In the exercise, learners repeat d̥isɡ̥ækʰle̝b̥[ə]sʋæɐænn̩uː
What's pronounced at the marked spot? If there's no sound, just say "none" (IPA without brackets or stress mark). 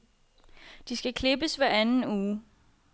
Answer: ə